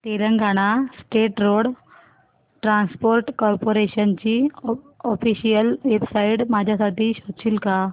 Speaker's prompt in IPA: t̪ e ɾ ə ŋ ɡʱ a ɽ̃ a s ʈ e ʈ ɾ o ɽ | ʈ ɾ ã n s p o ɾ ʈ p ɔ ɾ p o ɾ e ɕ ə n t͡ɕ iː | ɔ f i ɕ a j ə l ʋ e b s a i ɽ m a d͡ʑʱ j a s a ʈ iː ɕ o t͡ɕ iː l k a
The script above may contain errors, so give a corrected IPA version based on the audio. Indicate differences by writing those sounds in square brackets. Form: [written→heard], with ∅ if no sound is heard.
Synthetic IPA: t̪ e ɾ ə ŋ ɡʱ a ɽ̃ a s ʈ e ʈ ɾ o ɽ | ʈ ɾ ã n s p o ɾ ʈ [p→k] ɔ ɾ p o ɾ e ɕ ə n t͡ɕ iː | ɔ f i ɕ [a→i] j ə l ʋ e b s a i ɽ m a d͡ʑʱ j a s a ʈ iː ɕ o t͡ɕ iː l k a